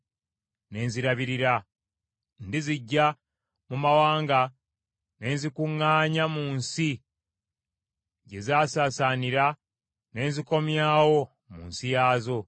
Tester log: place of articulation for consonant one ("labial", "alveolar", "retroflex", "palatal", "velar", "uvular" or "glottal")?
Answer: alveolar